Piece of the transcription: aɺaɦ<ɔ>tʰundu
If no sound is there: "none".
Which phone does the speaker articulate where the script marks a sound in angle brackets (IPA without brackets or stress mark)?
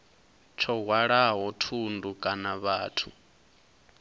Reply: ɔ